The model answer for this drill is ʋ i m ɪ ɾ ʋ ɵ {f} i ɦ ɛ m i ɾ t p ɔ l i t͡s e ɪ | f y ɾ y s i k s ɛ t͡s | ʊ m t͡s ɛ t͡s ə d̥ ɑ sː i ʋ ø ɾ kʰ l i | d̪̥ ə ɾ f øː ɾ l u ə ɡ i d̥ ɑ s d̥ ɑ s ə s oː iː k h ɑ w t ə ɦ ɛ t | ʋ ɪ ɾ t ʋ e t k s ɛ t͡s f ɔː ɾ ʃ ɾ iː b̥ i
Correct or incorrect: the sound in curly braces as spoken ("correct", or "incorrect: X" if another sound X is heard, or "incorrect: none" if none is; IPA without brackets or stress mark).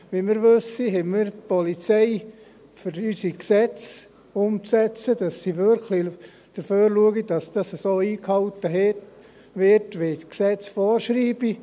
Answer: incorrect: s